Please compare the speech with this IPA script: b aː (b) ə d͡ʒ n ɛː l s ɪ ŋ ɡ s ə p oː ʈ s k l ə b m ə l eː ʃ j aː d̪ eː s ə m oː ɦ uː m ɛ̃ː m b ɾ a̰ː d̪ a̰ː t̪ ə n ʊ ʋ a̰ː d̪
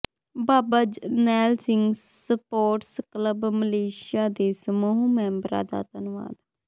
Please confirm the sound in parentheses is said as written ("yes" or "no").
yes